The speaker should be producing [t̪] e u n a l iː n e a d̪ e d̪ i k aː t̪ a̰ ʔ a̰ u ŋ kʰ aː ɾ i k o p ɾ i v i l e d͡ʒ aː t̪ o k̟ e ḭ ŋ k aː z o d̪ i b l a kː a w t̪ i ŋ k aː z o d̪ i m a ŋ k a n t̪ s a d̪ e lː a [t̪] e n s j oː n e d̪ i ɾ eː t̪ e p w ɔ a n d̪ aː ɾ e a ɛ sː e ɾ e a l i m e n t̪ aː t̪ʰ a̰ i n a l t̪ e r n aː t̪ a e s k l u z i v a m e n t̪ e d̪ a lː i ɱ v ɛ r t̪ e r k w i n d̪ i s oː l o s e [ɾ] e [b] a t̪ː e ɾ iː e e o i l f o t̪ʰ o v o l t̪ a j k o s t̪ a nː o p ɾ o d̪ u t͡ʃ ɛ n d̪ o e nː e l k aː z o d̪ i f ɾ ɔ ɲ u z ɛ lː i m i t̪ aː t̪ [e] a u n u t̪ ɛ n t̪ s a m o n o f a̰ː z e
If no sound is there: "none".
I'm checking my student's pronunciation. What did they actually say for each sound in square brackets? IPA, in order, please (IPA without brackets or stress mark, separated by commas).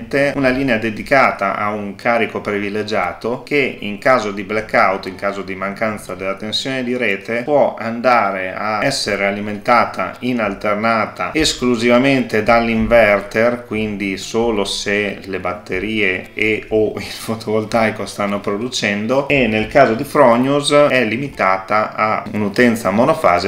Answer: t̪, t̪, l, b, a